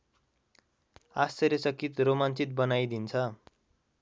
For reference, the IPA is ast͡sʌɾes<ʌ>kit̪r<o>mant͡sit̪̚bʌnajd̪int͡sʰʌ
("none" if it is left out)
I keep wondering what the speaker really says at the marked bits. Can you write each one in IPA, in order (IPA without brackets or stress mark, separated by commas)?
ʌ, o